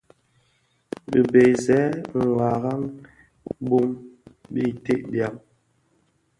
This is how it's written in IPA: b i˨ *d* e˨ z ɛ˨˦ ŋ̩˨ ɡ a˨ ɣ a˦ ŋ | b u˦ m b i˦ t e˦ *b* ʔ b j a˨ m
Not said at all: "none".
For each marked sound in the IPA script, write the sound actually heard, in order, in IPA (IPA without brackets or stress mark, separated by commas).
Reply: b, none